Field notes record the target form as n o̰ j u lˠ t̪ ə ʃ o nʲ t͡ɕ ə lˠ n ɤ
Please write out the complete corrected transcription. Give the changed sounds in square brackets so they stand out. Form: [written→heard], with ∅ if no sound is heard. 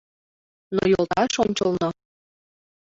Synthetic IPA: n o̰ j [u→o] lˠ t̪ [ə→ɑ] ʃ o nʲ t͡ɕ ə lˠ n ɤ

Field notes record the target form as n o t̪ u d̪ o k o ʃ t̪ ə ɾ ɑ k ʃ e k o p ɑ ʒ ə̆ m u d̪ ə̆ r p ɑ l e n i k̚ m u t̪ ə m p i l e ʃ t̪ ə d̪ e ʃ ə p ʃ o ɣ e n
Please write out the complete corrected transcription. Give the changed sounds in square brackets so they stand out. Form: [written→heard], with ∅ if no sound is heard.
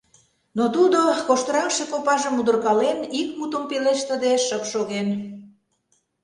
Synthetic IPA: n o t̪ u d̪ o k o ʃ t̪ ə ɾ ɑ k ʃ e k o p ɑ ʒ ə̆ m u d̪ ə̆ r [p→k] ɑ l e n i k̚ m u t̪ ə m p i l e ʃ t̪ ə d̪ e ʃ ə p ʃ o ɣ e n

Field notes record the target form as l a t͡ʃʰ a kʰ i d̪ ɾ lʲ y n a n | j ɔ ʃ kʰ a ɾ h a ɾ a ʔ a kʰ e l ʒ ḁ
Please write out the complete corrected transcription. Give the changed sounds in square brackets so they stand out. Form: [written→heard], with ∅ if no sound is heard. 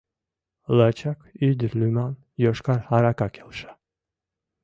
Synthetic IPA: l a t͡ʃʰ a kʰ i d̪ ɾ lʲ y [n→m] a n | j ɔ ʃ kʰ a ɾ h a ɾ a [ʔ→k] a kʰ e l [ʒ→ʃ] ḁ

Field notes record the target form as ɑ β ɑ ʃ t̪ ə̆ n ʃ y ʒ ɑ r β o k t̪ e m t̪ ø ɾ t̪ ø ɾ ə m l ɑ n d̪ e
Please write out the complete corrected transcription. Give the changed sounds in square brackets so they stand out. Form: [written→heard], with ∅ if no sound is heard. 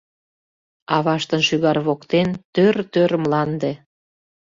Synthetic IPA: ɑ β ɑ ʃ t̪ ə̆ n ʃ y [ʒ→ɣ] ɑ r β o k t̪ e [m→n] t̪ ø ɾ t̪ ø ɾ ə m l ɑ n d̪ e

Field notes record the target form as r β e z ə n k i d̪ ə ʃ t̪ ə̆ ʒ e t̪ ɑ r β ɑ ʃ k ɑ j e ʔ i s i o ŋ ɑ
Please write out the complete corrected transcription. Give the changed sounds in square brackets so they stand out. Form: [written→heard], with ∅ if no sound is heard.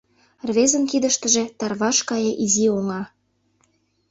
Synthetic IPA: r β e z ə n k i d̪ ə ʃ t̪ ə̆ ʒ e t̪ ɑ r β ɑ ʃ k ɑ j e ʔ i [s→z] i o ŋ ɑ

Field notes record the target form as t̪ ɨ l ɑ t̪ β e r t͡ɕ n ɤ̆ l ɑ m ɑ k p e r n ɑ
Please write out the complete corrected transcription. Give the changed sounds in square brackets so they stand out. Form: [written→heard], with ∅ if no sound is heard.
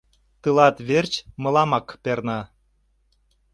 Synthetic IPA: t̪ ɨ l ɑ t̪ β e r t͡ɕ [n→m] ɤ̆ l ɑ m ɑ k p e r n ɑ

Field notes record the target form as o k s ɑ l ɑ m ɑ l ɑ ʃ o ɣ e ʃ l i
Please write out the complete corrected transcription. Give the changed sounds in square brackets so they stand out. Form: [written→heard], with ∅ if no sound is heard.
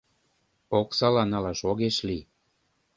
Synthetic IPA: o k s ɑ l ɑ [m→n] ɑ l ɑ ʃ o ɣ e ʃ l i

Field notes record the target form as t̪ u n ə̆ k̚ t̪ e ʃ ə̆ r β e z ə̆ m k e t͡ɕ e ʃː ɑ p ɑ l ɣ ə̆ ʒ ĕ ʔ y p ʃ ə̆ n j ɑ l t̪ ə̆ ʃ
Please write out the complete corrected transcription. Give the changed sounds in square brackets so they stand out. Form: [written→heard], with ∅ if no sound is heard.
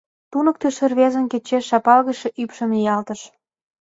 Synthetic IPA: t̪ u n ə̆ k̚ t̪ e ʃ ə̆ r β e z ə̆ [m→n] k e t͡ɕ e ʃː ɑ p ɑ l ɣ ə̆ [ʒ→ʃ] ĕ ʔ y p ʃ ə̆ [n→m] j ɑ l t̪ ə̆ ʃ

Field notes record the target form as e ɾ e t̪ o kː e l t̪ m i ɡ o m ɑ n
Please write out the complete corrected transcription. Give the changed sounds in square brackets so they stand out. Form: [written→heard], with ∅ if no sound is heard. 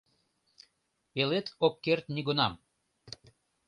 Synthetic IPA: e [ɾ→l] e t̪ o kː e [l→r] t̪ [m→n] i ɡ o [m→n] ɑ [n→m]

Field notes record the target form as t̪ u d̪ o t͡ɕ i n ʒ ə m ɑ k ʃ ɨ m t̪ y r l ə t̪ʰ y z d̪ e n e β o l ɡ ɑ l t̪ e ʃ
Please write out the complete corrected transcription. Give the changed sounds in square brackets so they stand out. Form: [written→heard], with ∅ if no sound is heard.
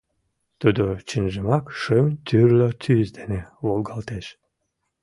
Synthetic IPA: t̪ u d̪ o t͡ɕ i n ʒ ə m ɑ k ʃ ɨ m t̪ y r l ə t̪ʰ y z d̪ e n e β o l ɡ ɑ l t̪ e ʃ

